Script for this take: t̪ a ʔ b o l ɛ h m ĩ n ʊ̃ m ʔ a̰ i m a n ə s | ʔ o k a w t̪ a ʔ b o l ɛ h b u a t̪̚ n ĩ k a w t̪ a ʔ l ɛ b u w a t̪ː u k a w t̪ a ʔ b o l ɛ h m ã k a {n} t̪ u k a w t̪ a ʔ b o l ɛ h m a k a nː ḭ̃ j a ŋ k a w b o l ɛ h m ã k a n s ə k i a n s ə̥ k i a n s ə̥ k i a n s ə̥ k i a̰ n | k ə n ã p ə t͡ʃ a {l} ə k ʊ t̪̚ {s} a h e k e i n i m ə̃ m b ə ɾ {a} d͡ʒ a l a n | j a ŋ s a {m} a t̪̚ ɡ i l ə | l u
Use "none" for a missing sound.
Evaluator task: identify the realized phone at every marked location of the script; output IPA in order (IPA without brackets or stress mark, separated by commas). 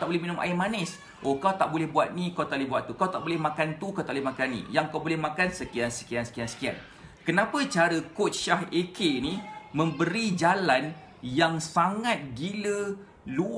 n, ɾ, ʃ, i, ŋ